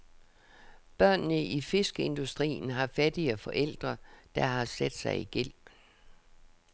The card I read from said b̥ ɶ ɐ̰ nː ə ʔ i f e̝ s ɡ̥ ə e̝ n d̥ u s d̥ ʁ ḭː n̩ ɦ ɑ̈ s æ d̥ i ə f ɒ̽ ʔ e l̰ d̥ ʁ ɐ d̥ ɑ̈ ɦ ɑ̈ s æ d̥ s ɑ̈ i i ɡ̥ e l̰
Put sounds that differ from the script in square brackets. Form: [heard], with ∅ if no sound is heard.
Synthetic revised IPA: b̥ ɶ ɐ̰ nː ə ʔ i f e̝ s ɡ̥ ə e̝ n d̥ u s d̥ ʁ ḭː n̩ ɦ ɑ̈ [f] æ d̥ i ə f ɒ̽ ʔ e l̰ d̥ ʁ ɐ d̥ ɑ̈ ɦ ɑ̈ s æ d̥ s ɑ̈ [ɪ] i ɡ̥ e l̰

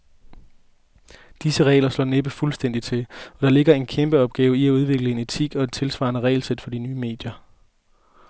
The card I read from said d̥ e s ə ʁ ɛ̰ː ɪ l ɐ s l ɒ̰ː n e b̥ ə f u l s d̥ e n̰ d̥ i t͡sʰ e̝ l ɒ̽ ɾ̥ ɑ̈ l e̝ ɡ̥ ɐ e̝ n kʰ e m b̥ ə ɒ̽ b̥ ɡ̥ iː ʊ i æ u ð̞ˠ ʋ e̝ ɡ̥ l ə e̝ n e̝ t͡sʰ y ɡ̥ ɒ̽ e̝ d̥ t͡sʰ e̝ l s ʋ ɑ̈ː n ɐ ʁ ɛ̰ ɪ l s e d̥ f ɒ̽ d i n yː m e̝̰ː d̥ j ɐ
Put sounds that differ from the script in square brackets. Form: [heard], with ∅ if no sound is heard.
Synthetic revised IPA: d̥ [i] s ə ʁ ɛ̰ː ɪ l ɐ s l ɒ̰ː n e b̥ ə f u l s d̥ e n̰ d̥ i t͡sʰ e̝ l ɒ̽ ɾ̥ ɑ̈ l e̝ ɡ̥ ɐ e̝ n kʰ e m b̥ ə ɒ̽ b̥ ɡ̥ [ɛː] ʊ i æ u ð̞ˠ ʋ e̝ ɡ̥ l ə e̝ n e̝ t͡sʰ [i] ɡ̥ ɒ̽ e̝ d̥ t͡sʰ e̝ l s ʋ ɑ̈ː n [ə] ʁ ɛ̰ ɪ l s e d̥ f ɒ̽ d i n yː m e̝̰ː d̥ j ɐ

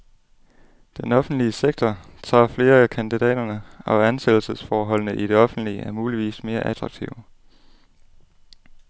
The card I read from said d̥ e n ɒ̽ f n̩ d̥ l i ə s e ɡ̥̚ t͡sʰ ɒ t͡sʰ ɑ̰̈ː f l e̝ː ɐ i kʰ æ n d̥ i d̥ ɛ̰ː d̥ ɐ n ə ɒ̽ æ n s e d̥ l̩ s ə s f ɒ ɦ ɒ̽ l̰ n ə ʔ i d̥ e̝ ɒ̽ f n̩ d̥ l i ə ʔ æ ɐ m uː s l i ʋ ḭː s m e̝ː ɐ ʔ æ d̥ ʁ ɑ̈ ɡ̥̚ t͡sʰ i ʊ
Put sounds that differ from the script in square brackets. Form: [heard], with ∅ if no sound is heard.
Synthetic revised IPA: d̥ e n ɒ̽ f n̩ d̥ l i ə s e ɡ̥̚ t͡sʰ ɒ t͡sʰ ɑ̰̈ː f l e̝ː ɐ [æ] kʰ æ n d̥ i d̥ ɛ̰ː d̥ ɐ n ə ɒ̽ æ n s e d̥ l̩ s ə s f [ɒː] ɦ ɒ̽ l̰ n ə ʔ i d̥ e̝ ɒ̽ f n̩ d̥ l i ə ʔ æ ɐ m uː [∅] l i ʋ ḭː s m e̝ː ɐ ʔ æ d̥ ʁ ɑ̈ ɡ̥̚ t͡sʰ i ʊ

